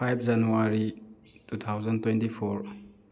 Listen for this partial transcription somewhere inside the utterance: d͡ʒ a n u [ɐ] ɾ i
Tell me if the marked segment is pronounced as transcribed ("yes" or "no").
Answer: no